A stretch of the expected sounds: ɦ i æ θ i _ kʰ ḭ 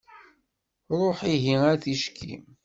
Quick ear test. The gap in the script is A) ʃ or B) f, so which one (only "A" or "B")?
A